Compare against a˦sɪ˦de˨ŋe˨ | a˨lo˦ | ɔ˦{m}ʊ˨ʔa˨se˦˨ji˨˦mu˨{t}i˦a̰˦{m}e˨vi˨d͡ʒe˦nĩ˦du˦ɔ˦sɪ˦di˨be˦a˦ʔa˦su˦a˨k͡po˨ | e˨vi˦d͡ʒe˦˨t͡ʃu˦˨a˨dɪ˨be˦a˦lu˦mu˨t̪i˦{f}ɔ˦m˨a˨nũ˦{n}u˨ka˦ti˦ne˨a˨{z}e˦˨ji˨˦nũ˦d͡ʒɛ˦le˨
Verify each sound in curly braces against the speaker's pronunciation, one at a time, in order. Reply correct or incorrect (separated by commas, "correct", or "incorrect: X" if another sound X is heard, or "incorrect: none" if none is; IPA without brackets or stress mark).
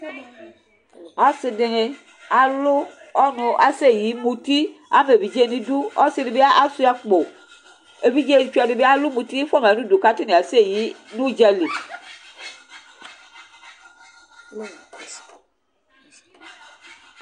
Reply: incorrect: n, correct, correct, correct, incorrect: d, incorrect: s